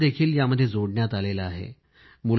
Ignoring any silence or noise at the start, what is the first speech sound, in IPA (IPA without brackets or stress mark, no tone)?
d̪